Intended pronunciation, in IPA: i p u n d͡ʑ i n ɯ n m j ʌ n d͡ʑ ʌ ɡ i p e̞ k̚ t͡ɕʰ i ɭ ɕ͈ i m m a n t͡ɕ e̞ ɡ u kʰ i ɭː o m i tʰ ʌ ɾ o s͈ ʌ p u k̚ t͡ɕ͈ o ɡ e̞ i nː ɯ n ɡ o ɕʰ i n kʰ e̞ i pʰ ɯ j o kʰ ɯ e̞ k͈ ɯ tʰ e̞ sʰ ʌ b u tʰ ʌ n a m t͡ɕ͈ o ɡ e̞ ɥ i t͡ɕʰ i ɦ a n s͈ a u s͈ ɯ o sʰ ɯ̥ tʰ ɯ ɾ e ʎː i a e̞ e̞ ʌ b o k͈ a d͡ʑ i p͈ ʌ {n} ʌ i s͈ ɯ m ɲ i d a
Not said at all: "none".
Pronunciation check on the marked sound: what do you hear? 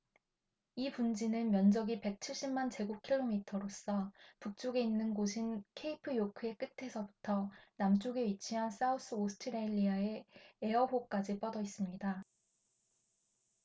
d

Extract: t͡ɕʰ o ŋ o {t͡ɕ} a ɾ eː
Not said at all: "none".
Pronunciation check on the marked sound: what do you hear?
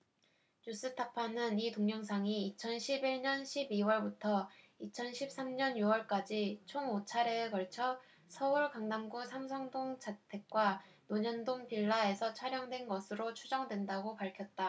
t͡ɕʰ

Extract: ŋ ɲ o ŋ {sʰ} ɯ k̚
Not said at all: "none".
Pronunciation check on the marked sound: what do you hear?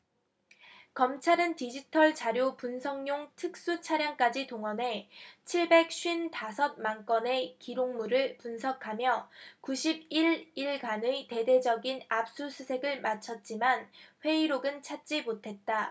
tʰ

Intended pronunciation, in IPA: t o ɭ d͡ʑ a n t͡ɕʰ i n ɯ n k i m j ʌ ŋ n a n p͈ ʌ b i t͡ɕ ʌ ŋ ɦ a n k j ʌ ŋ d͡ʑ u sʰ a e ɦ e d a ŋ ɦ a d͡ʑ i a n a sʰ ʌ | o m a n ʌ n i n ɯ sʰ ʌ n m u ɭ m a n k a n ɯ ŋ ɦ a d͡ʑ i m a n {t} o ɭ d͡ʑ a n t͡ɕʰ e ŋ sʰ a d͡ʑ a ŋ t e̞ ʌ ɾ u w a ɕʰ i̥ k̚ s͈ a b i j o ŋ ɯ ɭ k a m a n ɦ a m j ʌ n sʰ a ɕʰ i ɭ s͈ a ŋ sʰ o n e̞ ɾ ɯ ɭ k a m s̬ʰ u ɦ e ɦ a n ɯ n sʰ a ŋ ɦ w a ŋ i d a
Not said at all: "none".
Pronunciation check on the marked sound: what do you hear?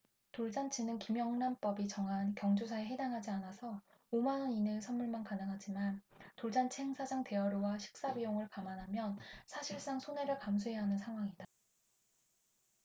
t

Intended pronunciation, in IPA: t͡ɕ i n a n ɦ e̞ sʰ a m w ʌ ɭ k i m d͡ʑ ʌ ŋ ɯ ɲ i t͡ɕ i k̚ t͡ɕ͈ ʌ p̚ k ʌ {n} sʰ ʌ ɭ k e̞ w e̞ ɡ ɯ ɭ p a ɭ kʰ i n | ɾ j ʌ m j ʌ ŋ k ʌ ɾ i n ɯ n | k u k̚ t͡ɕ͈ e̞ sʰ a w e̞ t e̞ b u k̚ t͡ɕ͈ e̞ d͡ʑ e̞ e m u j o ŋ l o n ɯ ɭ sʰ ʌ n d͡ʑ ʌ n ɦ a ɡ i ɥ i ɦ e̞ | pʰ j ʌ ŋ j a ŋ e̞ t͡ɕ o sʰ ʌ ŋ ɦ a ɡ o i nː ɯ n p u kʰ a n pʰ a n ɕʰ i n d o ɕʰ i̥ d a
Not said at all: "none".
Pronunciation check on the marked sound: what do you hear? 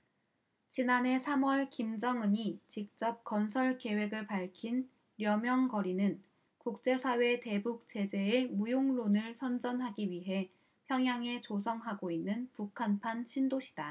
n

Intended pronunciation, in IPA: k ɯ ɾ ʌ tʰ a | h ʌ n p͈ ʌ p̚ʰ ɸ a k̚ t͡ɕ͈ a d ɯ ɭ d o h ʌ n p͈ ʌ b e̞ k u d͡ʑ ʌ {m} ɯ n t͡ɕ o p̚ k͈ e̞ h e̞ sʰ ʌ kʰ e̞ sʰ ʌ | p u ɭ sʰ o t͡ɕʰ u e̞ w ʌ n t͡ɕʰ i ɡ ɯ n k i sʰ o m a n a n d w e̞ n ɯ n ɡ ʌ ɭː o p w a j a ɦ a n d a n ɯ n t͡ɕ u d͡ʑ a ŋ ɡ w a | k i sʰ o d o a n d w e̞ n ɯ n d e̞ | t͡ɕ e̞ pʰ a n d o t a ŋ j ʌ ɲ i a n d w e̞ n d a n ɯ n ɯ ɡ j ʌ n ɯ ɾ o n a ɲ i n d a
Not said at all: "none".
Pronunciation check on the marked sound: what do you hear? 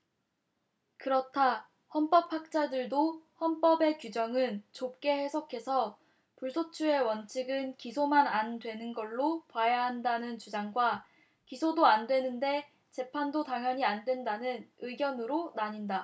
ŋ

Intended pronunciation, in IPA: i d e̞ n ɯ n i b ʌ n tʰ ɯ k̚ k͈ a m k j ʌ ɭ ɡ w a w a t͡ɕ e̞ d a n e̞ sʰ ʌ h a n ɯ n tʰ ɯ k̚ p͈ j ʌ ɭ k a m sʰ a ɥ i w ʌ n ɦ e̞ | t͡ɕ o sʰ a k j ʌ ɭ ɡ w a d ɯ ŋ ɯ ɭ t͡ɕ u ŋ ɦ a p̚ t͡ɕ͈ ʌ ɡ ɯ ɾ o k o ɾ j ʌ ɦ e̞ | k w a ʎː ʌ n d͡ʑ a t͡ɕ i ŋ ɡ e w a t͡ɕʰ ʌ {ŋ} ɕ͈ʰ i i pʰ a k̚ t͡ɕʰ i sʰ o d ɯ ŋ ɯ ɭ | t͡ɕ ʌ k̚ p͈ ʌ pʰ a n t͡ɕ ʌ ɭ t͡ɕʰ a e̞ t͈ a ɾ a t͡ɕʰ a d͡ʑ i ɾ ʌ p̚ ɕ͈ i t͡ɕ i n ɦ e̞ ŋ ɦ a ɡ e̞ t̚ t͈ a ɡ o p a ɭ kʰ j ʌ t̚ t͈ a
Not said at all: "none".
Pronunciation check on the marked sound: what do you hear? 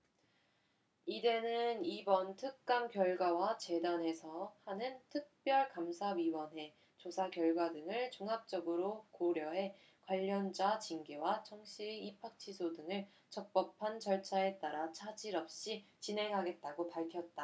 ŋ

